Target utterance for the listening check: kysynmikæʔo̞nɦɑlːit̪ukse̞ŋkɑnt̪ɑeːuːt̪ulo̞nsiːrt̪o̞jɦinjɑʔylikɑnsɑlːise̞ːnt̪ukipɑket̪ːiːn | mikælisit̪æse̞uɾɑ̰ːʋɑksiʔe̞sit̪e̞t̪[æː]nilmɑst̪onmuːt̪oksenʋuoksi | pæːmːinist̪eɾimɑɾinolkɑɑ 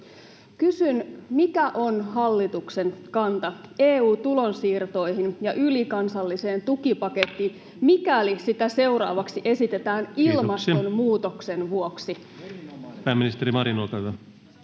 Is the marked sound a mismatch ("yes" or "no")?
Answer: no